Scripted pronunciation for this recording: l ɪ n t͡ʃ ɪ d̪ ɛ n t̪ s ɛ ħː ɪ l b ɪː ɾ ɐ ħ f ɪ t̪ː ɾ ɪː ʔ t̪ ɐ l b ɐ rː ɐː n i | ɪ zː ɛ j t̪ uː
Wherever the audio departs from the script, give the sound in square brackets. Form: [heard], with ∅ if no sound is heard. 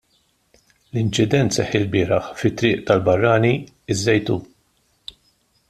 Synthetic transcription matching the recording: l ɪ n t͡ʃ ɪ d̪ ɛ n t̪ s ɛ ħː ɪ l b ɪː ɾ ɐ ħ f ɪ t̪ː ɾ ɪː ʔ t̪ ɐ l b ɐ rː ɐː n i | ɪ zː ɛ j t̪ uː